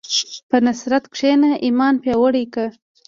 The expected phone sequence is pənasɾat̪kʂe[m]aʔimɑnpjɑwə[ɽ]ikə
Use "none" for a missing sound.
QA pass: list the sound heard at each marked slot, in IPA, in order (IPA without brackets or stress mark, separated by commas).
n, ɽ